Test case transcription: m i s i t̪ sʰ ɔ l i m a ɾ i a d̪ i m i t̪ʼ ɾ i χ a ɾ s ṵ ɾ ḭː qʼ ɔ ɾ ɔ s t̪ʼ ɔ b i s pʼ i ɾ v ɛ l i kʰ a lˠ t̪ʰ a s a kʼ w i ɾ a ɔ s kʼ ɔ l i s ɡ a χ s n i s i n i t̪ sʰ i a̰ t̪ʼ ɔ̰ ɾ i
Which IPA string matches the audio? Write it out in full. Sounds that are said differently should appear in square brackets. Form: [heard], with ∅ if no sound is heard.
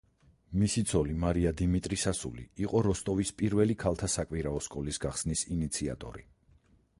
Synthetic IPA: m i s i t̪ sʰ ɔ l i m a ɾ i a d̪ i m i t̪ʼ ɾ i [s] a [∅] s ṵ [l] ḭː qʼ ɔ ɾ ɔ s t̪ʼ ɔ [v] i s pʼ i ɾ v ɛ l i kʰ a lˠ t̪ʰ a s a kʼ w i ɾ a ɔ s kʼ ɔ l i s ɡ a χ s n i s i n i t̪ sʰ i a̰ t̪ʼ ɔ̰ ɾ i